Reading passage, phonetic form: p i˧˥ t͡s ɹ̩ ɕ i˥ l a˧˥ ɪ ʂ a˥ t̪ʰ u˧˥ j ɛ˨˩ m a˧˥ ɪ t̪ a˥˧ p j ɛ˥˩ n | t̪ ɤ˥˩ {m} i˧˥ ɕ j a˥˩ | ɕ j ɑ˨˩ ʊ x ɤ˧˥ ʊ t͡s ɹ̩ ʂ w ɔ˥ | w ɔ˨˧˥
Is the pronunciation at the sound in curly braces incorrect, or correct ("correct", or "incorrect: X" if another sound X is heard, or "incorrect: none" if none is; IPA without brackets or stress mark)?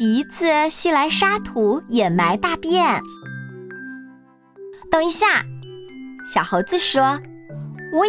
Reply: incorrect: ŋ